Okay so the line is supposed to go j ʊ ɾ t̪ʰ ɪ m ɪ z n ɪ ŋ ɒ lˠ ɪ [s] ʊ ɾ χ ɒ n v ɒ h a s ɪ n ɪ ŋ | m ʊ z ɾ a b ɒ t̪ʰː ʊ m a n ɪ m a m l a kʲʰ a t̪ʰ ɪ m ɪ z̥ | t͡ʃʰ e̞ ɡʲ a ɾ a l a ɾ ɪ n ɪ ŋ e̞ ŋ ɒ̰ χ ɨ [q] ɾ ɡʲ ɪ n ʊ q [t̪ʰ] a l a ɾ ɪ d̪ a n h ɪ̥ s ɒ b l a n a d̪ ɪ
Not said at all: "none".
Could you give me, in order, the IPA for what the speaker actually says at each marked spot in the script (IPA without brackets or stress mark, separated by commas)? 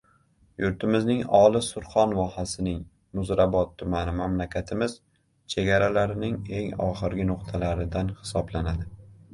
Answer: s, none, t̪ʰ